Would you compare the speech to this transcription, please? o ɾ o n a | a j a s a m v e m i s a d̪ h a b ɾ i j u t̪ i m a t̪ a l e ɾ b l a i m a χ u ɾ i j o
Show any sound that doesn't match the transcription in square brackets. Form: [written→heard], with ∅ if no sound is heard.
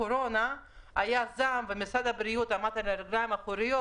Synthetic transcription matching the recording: o ɾ o n a | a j a [s→z] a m v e m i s a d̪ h a b ɾ i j u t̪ [i→a] m a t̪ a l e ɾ [b→ɡ] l a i m a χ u ɾ i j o